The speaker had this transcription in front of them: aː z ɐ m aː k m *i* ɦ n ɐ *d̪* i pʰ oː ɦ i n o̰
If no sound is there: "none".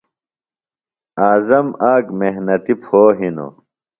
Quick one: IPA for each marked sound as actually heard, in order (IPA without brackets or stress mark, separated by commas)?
e, t̪